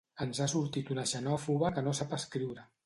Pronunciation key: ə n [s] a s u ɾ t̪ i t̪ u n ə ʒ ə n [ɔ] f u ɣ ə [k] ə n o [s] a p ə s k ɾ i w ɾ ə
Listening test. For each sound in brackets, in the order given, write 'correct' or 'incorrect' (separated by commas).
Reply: incorrect, correct, correct, correct